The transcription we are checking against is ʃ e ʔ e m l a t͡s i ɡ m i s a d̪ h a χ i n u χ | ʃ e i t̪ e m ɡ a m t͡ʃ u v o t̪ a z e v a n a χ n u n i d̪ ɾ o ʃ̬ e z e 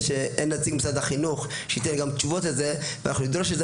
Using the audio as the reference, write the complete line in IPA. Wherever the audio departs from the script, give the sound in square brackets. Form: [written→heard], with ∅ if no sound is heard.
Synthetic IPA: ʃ e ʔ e [m→n] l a t͡s i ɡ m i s a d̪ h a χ i n u χ | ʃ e i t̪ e [m→n] ɡ a m t͡ʃ u v o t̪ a z e v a n a χ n u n i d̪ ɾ o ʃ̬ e z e